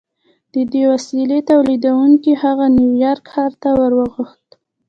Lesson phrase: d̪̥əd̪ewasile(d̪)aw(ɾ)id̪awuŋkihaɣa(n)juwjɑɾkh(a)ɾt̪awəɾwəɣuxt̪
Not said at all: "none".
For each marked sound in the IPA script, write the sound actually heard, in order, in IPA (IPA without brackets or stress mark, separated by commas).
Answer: t̪, l, n, ɑ